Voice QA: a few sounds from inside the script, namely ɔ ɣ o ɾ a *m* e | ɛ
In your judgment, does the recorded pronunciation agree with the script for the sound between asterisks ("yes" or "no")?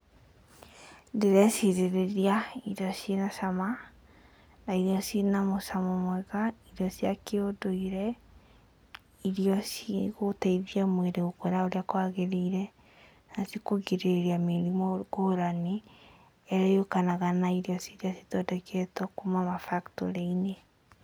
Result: no